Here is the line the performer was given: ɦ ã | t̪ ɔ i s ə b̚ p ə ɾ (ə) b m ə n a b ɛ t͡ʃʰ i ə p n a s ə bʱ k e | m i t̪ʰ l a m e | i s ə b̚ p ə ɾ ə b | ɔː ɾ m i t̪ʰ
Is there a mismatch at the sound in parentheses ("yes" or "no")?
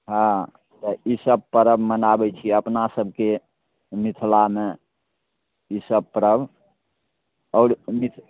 no